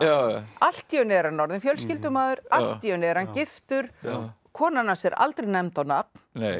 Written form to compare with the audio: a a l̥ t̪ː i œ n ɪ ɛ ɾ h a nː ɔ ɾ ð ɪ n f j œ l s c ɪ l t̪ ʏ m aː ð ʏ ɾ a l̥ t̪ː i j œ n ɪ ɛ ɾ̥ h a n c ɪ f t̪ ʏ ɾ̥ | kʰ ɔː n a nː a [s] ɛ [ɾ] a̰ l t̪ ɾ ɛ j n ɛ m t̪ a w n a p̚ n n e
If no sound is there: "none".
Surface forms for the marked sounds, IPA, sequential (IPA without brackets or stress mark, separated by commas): s, ɾ